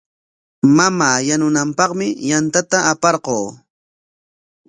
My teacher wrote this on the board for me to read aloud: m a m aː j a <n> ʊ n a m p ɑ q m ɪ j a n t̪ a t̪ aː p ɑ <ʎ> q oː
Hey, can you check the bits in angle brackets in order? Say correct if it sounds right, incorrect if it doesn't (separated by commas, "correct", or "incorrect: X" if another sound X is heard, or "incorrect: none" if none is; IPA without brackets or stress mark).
correct, incorrect: ɾ